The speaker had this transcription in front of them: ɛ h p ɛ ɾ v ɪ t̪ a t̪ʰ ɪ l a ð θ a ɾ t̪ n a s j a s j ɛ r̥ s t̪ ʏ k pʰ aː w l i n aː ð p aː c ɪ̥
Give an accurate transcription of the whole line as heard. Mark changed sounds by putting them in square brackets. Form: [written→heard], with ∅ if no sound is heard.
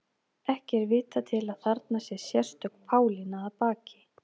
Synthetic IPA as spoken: ɛ h [p→c] ɛ ɾ v [ɪ→ɪː] t̪ a t̪ʰ ɪ l a ð θ a ɾ t̪ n a s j [a→ɛ] s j ɛ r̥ s t̪ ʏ k pʰ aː w l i n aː ð p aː c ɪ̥

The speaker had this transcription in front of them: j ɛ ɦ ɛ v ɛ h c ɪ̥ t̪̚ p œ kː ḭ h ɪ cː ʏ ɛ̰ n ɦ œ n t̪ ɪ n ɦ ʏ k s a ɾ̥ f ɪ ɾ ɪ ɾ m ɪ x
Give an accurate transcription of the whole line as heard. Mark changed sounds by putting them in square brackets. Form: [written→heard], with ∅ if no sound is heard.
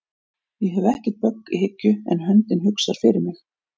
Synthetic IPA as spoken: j ɛ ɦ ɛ v ɛ h c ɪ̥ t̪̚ p œ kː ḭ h ɪ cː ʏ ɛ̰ n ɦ œ n t̪ ɪ n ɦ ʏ k s a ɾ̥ f ɪ ɾ ɪ ɾ m ɪ x

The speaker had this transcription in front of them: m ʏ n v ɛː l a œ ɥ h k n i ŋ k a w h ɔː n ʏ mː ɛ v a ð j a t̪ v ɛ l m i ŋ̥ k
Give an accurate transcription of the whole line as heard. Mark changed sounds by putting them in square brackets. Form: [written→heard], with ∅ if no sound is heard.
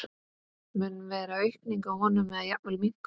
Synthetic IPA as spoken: m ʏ n v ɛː [l→ɾ] a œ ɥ h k n i ŋ k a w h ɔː n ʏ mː ɛ [v→ð] a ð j a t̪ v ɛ l m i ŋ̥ k

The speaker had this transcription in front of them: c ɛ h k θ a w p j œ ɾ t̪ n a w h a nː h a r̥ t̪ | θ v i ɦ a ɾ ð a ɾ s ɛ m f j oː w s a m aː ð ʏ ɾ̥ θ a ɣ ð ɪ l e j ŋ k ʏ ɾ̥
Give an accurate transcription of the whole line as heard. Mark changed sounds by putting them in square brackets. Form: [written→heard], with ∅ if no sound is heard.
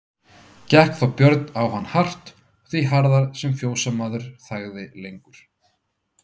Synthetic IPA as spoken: c ɛ h k θ a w p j œ ɾ t̪ n a w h a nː h a r̥ t̪ | θ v i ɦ a ɾ ð a ɾ s ɛ m f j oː w s a m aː ð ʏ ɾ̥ θ a ɣ ð ɪ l e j ŋ k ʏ ɾ̥

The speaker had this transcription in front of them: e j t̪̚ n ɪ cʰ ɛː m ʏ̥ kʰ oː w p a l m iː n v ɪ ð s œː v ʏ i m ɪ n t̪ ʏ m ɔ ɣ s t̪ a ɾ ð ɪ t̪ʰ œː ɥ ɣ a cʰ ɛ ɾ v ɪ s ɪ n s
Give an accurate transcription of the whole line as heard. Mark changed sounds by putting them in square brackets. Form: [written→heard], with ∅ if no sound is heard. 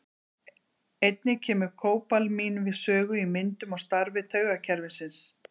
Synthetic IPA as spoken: e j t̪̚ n ɪ cʰ ɛː m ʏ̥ kʰ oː w p a l m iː n v ɪ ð s œː [v→ɣ] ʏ i m ɪ n t̪ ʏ m ɔ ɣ s t̪ a ɾ [ð→v] ɪ t̪ʰ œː ɥ ɣ a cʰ ɛ ɾ v ɪ s ɪ n s

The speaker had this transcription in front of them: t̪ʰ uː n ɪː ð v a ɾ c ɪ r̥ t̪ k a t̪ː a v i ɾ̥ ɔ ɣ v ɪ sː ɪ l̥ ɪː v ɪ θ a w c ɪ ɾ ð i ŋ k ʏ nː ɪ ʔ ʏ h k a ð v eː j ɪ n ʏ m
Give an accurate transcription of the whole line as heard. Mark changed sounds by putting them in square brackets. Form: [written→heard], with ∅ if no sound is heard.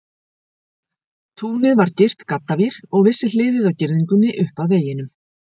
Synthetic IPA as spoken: t̪ʰ uː n [ɪː→ɪ] ð v a ɾ c ɪ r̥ t̪ k a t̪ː a v i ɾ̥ ɔ ɣ v ɪ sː ɪ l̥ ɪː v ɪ [θ→ð] a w c ɪ ɾ ð i ŋ k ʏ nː ɪ ʔ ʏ h [k→p] a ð v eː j ɪ n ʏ m

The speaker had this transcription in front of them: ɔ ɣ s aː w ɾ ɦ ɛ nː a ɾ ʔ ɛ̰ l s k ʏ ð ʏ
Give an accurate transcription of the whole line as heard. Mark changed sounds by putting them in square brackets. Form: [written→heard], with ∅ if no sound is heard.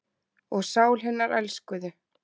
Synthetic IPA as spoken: ɔ ɣ s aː w [ɾ→l] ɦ ɛ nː a ɾ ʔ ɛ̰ l s k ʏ ð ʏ

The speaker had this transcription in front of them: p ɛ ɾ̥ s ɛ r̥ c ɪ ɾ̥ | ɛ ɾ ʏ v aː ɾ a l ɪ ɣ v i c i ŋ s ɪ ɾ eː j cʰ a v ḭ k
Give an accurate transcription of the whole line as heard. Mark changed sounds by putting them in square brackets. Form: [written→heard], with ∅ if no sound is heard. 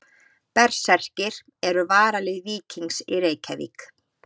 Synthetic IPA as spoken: p ɛ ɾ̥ s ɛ r̥ c ɪ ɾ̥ | ɛ ɾ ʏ v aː ɾ a l ɪ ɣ v [i→iː] c i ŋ s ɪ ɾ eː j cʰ a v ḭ k

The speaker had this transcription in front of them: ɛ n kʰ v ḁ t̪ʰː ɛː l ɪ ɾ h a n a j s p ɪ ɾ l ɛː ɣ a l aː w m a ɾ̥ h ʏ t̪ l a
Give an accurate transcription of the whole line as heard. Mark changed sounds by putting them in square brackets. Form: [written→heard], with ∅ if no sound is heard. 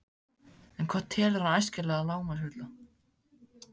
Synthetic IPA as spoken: ɛ n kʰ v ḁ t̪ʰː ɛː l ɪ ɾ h a n a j s [p→c] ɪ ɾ l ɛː ɣ a l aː w m a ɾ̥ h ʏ t̪ l a

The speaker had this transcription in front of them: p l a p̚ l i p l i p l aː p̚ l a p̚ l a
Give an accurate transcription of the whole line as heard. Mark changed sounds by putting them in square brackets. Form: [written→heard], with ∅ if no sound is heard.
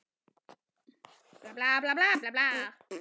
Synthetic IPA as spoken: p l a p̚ l [i→a] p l [i→a] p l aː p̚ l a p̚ l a

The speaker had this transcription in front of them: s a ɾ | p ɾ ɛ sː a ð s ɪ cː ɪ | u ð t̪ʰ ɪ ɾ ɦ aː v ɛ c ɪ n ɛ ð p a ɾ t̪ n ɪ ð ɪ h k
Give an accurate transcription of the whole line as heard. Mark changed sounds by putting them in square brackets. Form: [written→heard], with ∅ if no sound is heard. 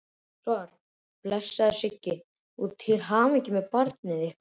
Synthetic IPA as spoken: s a ɾ | p [ɾ→l] ɛ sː a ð s ɪ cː ɪ | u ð t̪ʰ ɪ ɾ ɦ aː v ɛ c ɪ [n→m] ɛ ð p a ɾ t̪ n ɪ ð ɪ h k

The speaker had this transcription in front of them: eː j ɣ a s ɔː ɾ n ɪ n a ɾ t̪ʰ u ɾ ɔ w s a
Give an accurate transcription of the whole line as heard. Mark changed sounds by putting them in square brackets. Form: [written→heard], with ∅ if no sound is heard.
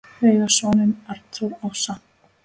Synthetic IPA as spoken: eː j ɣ a s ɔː [ɾ→∅] n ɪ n a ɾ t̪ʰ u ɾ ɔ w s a

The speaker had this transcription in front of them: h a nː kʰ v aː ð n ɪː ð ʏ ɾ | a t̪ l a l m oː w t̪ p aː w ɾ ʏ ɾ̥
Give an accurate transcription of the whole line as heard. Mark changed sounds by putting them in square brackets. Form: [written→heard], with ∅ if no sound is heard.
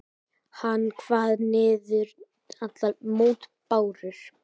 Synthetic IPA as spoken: h a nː kʰ v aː ð n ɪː ð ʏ ɾ | a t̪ l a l m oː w t̪ p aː w ɾ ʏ ɾ̥

